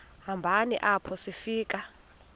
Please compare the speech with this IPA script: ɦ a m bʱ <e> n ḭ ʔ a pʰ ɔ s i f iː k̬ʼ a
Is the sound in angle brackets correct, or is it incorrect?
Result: incorrect